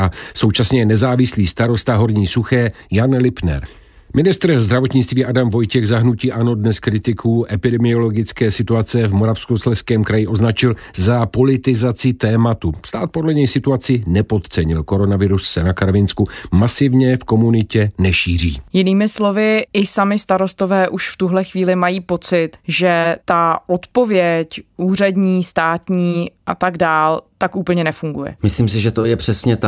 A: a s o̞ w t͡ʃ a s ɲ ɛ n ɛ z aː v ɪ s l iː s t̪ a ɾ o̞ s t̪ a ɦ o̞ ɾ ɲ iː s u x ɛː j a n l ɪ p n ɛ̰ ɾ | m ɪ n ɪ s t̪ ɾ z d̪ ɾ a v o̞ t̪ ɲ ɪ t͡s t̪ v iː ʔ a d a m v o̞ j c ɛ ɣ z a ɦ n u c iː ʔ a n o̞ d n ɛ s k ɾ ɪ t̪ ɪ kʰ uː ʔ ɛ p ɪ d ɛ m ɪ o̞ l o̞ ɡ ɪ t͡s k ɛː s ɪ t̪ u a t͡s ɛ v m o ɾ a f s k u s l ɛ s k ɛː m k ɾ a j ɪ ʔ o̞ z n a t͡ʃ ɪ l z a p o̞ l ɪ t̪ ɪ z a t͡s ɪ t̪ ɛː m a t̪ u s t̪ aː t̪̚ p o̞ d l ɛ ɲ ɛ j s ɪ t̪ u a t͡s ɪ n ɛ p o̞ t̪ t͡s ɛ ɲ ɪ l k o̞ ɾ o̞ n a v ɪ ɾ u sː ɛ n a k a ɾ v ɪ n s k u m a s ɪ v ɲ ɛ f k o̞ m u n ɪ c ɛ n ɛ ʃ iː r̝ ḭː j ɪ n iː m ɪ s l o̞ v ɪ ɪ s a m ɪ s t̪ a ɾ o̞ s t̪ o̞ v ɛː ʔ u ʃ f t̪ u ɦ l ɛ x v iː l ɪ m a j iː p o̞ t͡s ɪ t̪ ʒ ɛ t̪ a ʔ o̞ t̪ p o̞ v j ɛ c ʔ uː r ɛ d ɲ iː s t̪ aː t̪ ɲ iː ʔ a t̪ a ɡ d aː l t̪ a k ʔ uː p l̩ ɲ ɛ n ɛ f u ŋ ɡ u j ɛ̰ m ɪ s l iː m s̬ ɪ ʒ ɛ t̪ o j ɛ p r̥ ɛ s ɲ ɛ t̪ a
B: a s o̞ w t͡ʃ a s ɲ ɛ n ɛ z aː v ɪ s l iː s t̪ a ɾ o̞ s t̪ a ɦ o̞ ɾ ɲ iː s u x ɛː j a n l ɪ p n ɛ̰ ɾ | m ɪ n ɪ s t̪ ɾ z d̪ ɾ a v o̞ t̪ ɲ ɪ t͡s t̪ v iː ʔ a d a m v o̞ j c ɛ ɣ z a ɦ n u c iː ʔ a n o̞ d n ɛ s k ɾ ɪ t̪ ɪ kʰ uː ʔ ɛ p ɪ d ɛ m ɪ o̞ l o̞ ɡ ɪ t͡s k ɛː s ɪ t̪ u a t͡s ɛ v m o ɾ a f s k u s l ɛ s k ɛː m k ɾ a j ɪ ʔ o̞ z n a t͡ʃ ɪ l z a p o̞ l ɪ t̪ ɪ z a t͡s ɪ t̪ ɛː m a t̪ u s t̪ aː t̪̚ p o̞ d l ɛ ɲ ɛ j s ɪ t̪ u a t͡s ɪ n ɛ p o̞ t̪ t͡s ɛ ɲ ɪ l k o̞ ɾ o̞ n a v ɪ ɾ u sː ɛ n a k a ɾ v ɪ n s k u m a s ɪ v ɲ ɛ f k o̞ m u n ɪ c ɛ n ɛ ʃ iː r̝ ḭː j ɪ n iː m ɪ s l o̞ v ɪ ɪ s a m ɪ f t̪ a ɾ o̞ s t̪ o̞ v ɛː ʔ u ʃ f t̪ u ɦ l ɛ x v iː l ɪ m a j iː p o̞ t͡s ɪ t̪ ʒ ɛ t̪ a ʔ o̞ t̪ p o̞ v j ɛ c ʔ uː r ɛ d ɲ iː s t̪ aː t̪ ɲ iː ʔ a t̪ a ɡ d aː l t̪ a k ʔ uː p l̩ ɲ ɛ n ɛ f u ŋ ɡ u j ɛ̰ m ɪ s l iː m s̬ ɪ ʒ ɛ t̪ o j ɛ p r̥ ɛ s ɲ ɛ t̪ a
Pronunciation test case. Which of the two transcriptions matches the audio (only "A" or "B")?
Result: A